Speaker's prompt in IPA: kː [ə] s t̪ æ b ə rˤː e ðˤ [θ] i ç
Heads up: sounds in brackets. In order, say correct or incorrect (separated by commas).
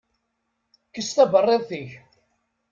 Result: correct, correct